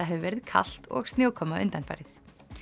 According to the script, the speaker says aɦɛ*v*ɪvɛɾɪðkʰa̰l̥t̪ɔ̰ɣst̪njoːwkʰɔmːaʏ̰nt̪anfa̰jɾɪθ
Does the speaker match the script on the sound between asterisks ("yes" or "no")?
yes